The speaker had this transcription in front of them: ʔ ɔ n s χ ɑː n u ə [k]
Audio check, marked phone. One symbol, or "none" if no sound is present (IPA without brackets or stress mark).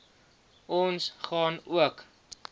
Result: k